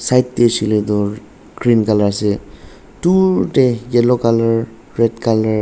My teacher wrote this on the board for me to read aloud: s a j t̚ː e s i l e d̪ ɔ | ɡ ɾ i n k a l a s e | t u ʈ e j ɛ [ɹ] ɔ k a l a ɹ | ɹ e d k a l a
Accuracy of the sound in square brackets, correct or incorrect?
incorrect: l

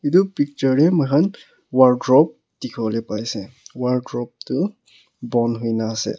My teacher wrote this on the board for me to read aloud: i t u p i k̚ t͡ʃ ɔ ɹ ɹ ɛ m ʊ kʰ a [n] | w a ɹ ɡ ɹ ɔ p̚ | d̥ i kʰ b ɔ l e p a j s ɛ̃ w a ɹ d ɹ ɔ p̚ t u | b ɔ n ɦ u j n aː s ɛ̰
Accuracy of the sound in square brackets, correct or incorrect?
correct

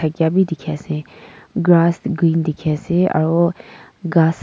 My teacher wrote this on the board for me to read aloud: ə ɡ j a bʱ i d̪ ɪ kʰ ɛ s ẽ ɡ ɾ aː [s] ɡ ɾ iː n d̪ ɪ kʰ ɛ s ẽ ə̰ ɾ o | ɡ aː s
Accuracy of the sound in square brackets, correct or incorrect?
correct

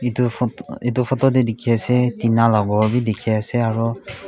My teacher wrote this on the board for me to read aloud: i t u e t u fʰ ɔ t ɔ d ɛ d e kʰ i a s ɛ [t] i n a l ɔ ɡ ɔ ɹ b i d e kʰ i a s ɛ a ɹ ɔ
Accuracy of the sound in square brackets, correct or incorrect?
correct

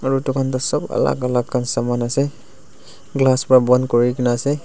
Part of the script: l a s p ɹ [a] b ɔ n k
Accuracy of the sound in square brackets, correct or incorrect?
correct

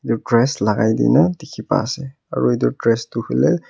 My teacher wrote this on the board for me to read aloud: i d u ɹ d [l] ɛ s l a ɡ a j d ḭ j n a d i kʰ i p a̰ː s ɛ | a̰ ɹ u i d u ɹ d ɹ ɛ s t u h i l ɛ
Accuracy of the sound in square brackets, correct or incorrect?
incorrect: ɹ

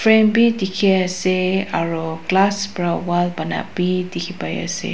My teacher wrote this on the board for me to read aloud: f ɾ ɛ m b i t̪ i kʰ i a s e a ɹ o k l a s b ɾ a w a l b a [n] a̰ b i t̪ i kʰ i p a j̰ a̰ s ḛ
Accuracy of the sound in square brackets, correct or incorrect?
correct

